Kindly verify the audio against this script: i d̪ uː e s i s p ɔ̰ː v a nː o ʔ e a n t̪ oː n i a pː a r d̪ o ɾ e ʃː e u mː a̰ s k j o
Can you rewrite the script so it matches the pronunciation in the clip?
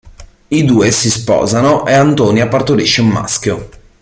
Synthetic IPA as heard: i d̪ uː e s i s p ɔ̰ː z a n o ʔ e a n t̪ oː n i a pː a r t̪ o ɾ i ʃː e u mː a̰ s k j o